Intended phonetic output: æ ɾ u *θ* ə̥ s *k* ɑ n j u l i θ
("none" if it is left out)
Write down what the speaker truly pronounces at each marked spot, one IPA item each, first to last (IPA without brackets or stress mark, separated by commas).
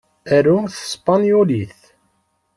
θ, p